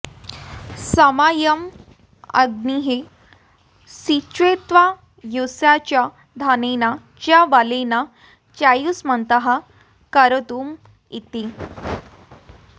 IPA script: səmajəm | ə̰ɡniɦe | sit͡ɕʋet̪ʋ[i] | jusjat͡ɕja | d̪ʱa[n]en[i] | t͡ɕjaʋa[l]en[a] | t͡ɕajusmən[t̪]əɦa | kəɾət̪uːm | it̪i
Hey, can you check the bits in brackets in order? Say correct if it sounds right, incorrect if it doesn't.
incorrect, correct, incorrect, correct, correct, correct

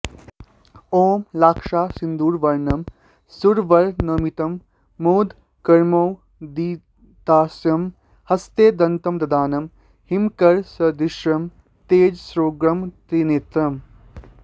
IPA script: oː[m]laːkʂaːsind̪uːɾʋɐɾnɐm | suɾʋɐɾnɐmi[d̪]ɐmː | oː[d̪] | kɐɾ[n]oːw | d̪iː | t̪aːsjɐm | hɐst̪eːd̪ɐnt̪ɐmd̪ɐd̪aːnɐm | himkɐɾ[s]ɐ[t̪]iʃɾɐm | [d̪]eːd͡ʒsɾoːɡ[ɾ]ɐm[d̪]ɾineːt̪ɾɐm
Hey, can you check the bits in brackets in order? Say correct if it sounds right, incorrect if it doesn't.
correct, incorrect, correct, incorrect, correct, incorrect, incorrect, correct, incorrect

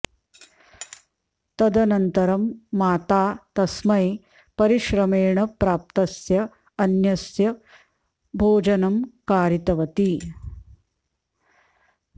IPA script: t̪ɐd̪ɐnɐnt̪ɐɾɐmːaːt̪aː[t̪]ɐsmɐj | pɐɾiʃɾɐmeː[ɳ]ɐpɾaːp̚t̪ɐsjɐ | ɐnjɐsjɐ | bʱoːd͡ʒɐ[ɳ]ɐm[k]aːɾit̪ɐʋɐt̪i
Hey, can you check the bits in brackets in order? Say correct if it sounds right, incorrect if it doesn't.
correct, correct, incorrect, correct

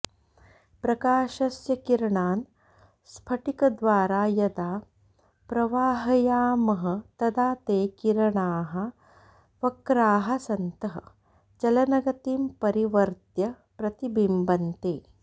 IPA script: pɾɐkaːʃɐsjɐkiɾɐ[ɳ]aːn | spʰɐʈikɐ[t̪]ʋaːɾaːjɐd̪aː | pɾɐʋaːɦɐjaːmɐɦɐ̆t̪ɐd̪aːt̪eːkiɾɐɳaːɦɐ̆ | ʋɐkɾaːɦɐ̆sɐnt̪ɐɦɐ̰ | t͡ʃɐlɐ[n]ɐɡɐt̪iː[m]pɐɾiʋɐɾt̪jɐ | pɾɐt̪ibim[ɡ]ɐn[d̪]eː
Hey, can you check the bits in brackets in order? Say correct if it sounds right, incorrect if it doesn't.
correct, incorrect, correct, correct, incorrect, incorrect

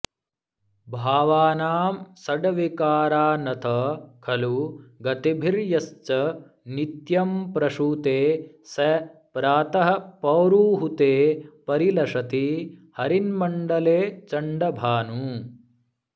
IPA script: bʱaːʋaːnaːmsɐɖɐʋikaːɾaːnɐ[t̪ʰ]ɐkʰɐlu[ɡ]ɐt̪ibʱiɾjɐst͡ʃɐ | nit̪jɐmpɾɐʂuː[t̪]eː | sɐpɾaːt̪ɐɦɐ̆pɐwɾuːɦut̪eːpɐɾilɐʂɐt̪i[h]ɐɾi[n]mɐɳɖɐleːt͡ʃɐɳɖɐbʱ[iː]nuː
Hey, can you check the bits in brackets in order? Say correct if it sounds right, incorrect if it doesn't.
correct, correct, correct, correct, correct, incorrect

